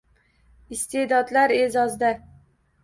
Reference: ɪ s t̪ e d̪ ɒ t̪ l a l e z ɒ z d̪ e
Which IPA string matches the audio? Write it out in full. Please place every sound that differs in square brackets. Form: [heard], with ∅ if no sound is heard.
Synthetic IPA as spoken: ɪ s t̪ e d̪ ɒ [d̪] l a [ɾ] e z ɒ z d̪ [a]